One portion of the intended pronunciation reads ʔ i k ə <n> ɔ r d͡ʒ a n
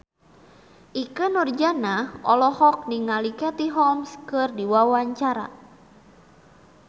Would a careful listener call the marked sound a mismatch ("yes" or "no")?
no